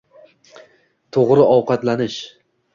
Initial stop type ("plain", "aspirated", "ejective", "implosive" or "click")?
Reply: aspirated